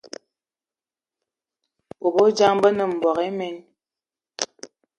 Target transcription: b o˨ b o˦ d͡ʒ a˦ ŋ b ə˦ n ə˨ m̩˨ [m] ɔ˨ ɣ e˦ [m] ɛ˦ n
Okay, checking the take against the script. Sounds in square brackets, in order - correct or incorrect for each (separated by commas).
incorrect, correct